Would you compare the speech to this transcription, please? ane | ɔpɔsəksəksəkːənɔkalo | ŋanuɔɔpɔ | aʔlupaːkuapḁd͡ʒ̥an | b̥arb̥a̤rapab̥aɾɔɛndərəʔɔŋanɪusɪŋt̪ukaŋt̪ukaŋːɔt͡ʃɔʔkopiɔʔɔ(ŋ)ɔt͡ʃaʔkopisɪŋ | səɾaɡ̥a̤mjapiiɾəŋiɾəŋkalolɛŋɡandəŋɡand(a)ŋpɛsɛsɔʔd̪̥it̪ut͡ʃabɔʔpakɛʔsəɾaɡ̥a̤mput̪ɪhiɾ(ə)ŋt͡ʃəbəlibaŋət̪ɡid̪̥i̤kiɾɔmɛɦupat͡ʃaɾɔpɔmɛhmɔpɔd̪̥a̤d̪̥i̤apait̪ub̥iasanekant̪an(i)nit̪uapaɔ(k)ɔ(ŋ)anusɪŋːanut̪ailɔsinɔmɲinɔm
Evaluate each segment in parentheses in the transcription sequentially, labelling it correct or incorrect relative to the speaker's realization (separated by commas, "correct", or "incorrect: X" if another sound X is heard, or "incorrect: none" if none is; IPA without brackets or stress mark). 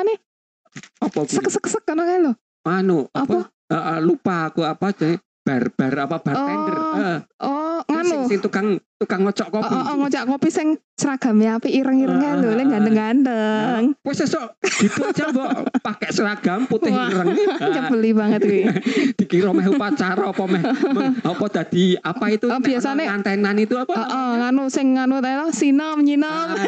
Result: correct, incorrect: ə, correct, incorrect: a, incorrect: ʔ, correct